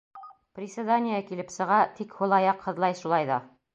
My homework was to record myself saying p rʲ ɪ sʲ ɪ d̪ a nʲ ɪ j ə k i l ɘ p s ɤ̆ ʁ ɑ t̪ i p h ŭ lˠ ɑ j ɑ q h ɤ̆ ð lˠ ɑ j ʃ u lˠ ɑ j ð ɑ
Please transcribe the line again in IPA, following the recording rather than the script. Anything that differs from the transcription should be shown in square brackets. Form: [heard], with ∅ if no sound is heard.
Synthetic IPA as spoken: p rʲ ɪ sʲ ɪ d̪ a nʲ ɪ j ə k i l ɘ p s ɤ̆ ʁ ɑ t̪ i [k] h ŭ lˠ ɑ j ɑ q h ɤ̆ ð lˠ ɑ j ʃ u lˠ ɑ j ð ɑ